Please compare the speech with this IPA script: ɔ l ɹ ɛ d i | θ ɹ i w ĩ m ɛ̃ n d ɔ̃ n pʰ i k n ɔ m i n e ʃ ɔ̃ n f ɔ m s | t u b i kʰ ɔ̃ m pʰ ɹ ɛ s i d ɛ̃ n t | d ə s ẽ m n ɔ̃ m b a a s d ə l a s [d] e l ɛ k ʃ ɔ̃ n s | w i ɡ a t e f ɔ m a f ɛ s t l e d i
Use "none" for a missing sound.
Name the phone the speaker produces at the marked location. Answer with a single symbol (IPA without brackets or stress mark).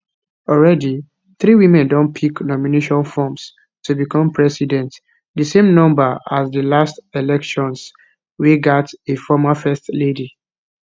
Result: t